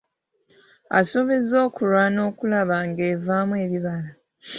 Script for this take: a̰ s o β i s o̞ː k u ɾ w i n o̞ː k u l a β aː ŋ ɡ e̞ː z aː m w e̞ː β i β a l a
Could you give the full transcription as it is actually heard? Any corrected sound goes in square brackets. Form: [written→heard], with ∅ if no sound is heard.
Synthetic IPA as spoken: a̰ s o β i [s→z] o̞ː k u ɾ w [i→a] n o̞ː k u l a β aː ŋ ɡ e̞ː [z→v] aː m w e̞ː β i β a l a